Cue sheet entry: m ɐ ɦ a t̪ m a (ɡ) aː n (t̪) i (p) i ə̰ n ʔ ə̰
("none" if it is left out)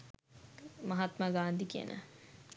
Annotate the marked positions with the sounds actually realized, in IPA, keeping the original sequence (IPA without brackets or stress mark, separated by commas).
ɡ, d̪, k